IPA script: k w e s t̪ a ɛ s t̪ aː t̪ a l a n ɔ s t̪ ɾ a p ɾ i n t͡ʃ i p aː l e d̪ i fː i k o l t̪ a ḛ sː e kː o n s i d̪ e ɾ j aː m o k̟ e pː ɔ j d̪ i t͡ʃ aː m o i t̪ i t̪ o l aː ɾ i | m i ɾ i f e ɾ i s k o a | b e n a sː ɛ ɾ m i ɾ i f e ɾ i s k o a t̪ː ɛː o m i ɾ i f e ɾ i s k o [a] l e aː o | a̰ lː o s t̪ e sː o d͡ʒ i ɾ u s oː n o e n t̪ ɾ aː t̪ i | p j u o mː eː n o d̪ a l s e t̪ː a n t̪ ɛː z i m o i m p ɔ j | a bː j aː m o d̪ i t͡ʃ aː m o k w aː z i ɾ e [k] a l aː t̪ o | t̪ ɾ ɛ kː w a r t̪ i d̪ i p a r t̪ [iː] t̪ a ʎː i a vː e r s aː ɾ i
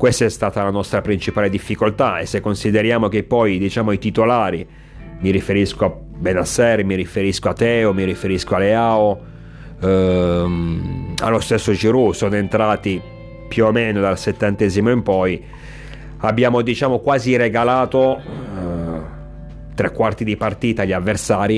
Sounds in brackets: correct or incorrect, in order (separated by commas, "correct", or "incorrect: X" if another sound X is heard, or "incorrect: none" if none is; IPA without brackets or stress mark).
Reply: correct, incorrect: ɡ, correct